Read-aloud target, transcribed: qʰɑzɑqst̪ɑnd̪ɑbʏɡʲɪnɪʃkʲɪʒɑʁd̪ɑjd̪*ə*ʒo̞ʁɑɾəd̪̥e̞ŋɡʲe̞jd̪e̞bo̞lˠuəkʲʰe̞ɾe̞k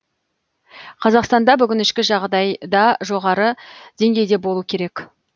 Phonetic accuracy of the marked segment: incorrect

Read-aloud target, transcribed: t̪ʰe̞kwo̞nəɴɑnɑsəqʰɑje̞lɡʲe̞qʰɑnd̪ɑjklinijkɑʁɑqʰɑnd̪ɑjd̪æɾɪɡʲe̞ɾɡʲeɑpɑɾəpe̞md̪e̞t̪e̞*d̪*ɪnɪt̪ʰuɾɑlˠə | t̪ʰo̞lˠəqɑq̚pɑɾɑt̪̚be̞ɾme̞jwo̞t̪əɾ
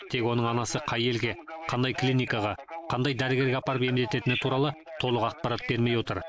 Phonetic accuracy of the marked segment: incorrect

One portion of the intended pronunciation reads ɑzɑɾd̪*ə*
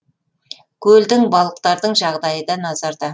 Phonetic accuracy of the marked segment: incorrect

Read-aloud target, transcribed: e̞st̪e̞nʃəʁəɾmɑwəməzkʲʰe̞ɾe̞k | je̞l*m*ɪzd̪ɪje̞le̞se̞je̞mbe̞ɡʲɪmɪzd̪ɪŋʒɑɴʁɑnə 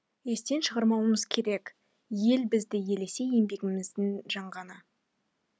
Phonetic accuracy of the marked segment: incorrect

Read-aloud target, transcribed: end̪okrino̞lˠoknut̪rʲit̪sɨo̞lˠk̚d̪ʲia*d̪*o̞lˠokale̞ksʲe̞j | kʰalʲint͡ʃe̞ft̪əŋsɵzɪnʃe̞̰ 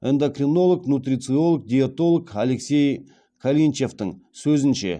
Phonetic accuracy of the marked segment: incorrect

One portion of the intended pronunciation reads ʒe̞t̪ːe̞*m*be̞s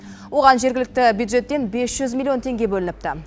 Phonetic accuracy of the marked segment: incorrect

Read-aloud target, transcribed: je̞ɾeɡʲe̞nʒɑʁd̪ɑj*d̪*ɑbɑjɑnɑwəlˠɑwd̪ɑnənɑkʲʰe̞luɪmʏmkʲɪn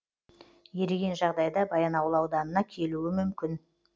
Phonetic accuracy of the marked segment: correct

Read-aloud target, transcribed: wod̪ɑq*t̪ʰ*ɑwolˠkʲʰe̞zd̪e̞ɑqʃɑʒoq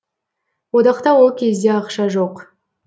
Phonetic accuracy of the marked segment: incorrect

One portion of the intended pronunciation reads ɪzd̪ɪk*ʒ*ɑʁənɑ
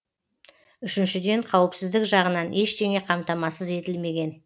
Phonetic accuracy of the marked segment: correct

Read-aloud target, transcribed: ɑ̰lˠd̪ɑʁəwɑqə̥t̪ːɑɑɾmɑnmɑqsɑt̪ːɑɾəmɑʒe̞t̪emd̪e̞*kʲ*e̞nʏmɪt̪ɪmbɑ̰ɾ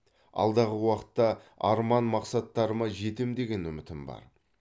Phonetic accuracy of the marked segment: incorrect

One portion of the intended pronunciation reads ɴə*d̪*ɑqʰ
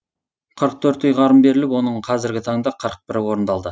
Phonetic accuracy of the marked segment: correct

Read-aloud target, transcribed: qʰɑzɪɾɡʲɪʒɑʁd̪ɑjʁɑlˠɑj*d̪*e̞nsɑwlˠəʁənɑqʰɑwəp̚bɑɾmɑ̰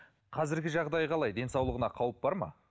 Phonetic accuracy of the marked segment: correct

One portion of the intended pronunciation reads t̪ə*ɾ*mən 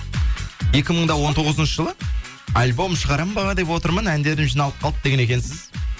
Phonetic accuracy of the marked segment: correct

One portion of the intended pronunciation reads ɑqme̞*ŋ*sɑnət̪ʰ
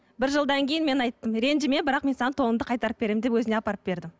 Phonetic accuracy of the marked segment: incorrect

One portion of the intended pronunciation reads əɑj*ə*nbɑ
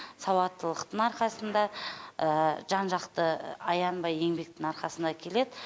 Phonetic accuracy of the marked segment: incorrect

